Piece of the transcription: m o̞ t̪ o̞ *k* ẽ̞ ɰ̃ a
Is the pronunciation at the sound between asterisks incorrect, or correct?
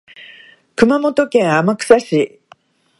correct